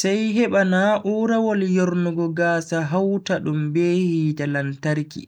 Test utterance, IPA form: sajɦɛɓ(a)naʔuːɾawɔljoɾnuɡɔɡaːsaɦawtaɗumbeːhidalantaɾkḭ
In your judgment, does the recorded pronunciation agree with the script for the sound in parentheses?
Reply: yes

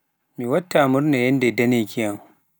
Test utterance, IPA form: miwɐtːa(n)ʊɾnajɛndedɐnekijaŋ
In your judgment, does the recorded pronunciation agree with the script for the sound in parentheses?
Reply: no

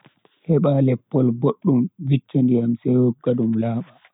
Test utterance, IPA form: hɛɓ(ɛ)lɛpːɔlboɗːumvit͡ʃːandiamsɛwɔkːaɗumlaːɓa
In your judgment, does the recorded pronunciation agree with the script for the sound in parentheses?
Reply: no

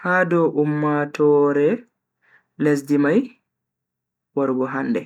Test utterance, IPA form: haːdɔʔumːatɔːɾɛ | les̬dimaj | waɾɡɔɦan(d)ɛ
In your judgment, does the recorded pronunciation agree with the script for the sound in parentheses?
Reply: yes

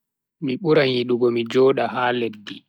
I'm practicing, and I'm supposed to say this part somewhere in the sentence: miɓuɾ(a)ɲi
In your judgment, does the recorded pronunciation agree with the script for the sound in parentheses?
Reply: yes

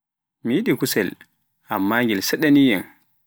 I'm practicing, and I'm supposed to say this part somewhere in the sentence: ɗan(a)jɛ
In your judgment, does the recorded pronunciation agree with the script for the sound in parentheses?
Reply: no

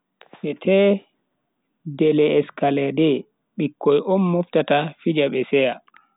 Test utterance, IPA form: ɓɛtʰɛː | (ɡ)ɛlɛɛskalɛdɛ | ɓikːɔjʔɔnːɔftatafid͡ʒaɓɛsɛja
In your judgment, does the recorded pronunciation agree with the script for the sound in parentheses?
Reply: no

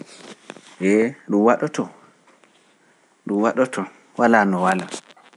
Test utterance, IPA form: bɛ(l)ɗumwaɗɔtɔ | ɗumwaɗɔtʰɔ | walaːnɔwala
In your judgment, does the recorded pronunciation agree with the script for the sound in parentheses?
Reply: no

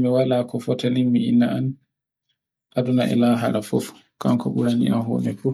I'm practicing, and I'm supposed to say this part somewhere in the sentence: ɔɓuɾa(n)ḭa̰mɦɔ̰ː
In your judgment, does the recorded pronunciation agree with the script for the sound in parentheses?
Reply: yes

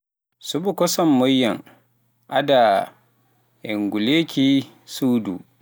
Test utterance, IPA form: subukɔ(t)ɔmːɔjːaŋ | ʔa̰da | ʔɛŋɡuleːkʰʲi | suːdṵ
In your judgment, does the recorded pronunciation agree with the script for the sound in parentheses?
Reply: no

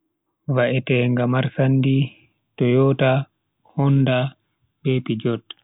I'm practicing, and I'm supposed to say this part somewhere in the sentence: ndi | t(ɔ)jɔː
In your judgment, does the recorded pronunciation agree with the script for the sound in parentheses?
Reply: yes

